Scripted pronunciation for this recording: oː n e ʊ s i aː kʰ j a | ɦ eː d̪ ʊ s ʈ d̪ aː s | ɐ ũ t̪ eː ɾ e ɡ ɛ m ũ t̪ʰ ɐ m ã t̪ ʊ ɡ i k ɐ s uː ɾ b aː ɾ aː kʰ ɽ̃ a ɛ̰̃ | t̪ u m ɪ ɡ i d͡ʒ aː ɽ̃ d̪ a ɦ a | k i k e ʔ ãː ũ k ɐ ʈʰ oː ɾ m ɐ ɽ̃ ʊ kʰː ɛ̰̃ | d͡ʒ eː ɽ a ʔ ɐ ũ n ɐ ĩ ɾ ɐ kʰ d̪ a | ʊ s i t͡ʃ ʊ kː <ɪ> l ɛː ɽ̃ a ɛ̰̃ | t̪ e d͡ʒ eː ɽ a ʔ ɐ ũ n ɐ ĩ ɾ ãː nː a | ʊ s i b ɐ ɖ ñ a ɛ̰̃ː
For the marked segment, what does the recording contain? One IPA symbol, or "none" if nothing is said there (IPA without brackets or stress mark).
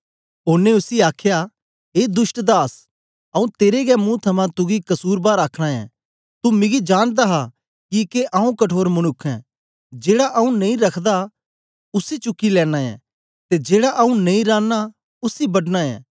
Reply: i